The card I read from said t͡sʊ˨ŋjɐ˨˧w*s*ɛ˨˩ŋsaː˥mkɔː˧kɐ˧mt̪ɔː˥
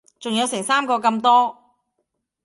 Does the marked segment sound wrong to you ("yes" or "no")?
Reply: no